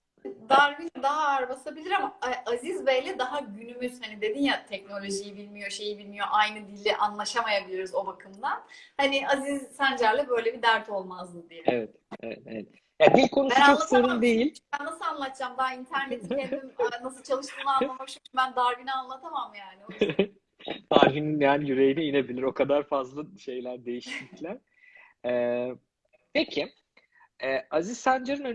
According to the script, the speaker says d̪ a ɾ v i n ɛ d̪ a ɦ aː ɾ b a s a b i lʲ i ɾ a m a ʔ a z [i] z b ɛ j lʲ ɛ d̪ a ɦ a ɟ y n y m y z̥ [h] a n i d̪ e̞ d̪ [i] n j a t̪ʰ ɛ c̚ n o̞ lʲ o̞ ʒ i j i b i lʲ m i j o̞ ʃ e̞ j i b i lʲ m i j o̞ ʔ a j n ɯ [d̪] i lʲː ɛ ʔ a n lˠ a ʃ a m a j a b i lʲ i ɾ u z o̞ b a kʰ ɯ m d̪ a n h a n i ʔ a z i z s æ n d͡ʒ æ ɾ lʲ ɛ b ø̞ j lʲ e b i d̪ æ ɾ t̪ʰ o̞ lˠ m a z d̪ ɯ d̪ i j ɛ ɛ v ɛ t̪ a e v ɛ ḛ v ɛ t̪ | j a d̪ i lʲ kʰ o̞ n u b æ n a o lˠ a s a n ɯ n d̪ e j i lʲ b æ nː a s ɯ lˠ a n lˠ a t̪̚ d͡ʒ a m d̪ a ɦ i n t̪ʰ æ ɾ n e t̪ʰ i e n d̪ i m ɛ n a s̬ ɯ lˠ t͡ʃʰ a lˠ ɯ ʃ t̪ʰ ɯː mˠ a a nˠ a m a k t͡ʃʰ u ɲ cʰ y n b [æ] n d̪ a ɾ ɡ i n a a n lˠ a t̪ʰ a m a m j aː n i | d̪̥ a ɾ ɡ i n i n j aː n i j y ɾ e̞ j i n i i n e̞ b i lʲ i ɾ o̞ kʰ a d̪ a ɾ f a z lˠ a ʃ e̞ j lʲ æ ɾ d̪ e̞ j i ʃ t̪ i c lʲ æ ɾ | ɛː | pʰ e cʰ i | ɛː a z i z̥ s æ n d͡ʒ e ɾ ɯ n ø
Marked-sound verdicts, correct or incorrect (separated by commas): correct, correct, correct, correct, correct